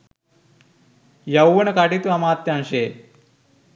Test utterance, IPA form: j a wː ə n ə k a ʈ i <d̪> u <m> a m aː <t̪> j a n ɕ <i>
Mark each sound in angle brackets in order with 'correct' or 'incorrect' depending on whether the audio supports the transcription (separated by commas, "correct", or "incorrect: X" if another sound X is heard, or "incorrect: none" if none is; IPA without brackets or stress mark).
incorrect: t̪, incorrect: none, correct, incorrect: e